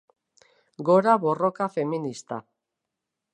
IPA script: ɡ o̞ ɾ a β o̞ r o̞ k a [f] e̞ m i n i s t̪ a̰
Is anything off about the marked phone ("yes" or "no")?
no